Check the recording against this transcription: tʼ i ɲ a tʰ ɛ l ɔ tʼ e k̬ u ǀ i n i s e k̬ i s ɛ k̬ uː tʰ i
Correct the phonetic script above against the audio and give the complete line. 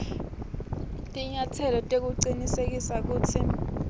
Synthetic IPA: tʼ i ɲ a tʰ ɛ l ɔ tʼ e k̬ u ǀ i n i s e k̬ i s a k̬ uː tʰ i